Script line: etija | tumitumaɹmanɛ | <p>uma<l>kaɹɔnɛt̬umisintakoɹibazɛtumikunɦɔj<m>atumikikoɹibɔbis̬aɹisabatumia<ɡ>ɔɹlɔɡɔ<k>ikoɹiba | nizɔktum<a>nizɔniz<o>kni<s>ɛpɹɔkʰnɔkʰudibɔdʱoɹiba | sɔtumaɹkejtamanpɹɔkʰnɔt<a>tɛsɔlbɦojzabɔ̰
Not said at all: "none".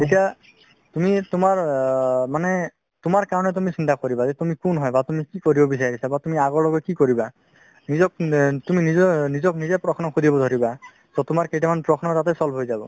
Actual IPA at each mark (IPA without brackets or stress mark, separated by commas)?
t, ɹ, b, ɡ, k, i, ɔ, z, a